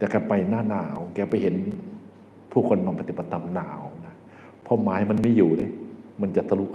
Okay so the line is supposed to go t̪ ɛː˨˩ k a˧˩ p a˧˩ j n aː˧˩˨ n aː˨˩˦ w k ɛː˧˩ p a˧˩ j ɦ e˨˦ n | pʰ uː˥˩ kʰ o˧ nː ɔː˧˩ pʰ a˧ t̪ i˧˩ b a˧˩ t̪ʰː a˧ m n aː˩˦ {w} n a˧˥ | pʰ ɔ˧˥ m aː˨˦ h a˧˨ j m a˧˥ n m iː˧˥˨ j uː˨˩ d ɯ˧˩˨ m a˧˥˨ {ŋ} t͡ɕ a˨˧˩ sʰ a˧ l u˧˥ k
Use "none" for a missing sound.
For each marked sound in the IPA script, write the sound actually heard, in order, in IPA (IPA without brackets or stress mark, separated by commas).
w, n